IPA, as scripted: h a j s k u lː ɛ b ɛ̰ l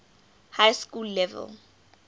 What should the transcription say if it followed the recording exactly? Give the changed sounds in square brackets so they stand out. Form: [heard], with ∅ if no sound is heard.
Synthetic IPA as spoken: h a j s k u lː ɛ [v] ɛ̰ l